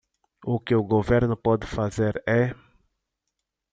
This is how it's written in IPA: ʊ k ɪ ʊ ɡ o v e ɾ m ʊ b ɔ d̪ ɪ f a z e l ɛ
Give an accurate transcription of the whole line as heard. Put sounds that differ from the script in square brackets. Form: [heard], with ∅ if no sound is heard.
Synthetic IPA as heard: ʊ k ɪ ʊ ɡ o v e ɾ [n] ʊ [p] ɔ d̪ ɪ f a z e [ɾ] ɛ